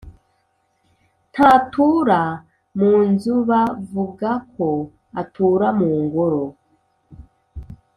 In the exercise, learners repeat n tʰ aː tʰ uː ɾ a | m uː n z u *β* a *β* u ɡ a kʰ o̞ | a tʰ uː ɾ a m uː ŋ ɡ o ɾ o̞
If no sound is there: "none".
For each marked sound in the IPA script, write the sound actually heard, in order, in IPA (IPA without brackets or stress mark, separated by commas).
β, v